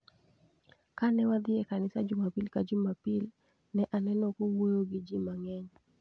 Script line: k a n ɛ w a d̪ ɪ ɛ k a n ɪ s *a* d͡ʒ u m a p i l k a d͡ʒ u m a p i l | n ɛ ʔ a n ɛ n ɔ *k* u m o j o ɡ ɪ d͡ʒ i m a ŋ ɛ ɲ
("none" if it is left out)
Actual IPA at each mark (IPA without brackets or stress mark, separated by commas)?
a, k